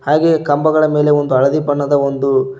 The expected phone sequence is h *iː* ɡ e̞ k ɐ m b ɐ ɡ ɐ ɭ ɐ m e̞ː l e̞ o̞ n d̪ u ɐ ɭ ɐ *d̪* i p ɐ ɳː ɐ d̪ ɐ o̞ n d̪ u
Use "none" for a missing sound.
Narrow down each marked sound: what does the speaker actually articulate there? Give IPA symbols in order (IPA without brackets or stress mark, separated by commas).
aː, d̪